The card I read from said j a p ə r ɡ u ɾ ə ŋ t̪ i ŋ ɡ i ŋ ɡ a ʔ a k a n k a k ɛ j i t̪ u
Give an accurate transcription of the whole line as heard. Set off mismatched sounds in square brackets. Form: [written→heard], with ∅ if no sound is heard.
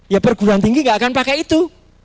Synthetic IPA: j a p ə r ɡ u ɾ [ə→a] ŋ t̪ i ŋ ɡ i ŋ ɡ a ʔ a k a n [k→p] a k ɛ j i t̪ u